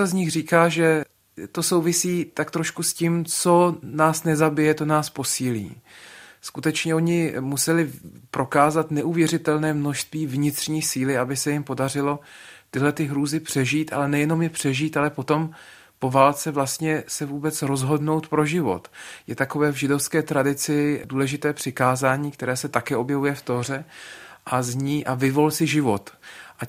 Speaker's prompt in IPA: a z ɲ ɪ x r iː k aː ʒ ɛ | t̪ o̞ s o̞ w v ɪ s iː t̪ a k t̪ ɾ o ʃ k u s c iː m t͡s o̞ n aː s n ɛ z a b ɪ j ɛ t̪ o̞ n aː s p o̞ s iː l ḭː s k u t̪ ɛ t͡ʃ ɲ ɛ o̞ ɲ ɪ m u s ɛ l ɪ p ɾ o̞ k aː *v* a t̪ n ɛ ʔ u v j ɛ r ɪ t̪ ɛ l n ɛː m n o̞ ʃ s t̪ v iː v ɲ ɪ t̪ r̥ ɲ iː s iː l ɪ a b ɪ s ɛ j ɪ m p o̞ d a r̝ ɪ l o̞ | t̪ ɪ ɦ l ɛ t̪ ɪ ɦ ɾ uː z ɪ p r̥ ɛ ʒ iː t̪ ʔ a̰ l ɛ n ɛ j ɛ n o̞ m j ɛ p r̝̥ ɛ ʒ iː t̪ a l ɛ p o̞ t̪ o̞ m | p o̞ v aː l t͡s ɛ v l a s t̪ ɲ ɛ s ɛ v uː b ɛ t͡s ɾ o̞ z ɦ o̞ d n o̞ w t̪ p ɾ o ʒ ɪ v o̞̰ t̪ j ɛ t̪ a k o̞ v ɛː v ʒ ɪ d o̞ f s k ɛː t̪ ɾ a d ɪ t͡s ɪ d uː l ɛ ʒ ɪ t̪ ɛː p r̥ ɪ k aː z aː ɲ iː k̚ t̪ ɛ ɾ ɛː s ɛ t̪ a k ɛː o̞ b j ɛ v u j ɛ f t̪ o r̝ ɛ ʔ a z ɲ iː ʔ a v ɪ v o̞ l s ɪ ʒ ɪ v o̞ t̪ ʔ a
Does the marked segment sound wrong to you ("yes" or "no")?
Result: yes